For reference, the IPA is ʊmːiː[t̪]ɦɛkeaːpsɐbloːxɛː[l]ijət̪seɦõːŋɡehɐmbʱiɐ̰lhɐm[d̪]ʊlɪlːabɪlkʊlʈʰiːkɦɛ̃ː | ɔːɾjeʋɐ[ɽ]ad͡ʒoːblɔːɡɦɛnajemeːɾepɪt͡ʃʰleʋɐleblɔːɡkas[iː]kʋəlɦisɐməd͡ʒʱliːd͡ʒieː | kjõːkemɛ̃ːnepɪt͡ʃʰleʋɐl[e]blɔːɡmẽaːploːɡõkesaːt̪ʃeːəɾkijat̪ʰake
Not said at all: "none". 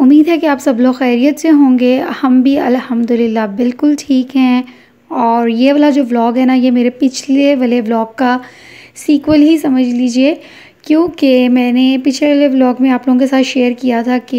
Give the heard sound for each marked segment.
d̪, ɾ, d̪, l, iː, e

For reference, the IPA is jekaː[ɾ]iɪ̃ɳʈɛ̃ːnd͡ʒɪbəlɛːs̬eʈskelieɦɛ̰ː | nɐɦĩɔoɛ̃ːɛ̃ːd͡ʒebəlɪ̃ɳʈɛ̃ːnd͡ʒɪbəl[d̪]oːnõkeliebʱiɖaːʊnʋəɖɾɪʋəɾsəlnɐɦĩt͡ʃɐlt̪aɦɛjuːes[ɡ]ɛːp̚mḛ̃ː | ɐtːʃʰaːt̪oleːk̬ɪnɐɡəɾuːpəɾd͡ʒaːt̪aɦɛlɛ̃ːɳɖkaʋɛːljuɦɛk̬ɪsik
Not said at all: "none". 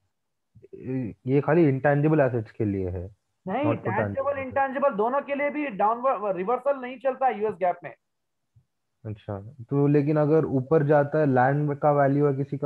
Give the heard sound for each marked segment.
l, d̪, ɡ

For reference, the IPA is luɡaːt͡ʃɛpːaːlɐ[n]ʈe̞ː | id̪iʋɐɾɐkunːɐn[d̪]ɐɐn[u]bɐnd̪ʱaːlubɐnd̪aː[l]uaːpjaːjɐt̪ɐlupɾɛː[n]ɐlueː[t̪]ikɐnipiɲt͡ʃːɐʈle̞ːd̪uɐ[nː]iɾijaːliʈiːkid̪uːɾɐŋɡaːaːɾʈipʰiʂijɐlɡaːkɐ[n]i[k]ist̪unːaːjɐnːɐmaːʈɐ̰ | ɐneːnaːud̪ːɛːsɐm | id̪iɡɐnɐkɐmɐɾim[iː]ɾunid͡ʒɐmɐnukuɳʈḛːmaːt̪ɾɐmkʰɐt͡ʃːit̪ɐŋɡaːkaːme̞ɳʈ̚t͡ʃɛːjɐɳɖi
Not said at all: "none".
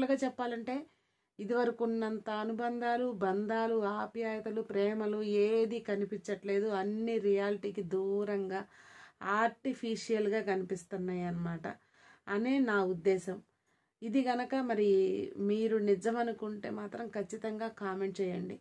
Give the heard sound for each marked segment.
ɳ, t̪, u, l, m, d̪, nː, n, p, iː

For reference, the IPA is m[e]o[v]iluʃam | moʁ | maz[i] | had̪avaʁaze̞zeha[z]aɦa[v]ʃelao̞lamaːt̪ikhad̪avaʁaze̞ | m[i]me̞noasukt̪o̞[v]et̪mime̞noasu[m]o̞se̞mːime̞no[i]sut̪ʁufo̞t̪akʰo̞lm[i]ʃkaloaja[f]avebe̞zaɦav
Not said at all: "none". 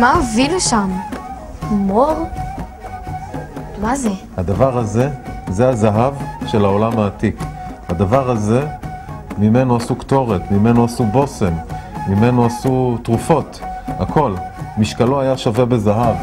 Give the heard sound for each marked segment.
a, v, e, z, v, i, ʁ, b, a, i, ʃ

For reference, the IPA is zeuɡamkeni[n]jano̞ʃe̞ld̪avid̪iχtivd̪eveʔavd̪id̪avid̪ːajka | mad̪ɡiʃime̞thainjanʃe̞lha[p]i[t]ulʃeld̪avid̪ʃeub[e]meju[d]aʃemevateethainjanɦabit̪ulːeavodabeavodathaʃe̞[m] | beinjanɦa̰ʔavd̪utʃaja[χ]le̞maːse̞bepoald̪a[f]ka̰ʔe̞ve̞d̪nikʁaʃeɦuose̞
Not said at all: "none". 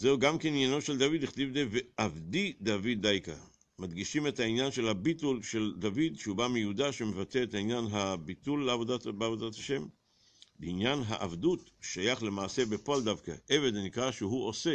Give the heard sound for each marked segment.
n, b, t, a, d, m, χ, v

